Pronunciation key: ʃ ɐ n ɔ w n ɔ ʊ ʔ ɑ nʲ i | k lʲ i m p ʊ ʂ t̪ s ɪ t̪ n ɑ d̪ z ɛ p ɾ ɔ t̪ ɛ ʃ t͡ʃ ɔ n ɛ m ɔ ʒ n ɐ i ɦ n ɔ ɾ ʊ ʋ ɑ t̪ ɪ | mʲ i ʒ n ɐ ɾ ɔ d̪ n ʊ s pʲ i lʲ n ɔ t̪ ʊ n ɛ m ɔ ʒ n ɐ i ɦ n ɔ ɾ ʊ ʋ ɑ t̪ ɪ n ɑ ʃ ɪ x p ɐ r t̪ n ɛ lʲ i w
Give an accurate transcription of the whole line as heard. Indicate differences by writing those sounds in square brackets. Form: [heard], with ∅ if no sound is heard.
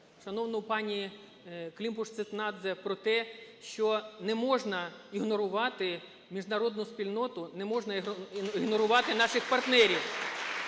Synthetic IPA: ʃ ɐ n ɔ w n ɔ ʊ [p] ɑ nʲ i | k lʲ i m p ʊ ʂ t̪ s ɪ t̪ n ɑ d̪ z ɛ p ɾ ɔ t̪ ɛ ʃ t͡ʃ ɔ n ɛ m ɔ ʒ n ɐ i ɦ n ɔ ɾ ʊ ʋ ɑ t̪ ɪ | mʲ i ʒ n ɐ ɾ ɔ d̪ n ʊ s pʲ i lʲ n ɔ t̪ ʊ n ɛ m ɔ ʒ n ɐ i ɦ n ɔ ɾ ʊ ʋ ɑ t̪ ɪ n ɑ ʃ ɪ x p ɐ r t̪ n ɛ [ɾʲ] i w